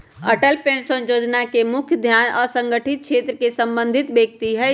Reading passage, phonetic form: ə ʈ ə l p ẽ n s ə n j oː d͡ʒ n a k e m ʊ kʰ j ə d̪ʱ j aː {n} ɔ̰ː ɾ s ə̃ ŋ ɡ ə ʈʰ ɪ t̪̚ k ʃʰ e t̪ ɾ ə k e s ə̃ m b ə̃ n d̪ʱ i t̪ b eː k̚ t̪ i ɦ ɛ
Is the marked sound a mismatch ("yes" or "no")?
no